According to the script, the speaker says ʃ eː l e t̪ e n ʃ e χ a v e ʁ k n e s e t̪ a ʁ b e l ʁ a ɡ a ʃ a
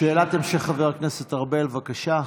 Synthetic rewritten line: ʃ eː l a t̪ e m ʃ e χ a v e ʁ k n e s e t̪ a ʁ b e l v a k a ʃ a